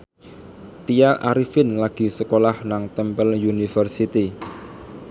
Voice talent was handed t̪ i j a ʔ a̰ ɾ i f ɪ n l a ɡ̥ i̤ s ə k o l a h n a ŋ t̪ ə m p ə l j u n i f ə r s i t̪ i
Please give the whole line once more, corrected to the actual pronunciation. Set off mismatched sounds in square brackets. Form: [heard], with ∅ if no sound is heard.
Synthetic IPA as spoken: t̪ i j a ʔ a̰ ɾ i f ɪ n l a ɡ̥ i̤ s ə k o l a h n a ŋ t̪ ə m p ə l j u n i f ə r s i t̪ i